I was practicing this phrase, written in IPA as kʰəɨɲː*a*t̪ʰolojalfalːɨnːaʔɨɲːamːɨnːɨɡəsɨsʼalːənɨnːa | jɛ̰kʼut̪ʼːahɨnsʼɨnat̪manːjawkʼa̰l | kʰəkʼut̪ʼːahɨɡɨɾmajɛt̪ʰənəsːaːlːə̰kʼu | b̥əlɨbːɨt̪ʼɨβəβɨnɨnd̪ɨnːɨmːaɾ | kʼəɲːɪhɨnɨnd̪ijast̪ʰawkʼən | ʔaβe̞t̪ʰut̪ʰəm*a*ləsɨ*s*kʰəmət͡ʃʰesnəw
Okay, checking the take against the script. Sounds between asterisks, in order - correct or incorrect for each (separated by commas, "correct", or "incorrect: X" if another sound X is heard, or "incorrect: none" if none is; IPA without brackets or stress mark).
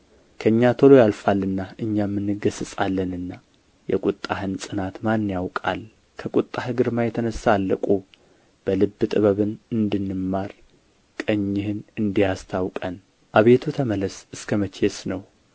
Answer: correct, incorrect: ə, correct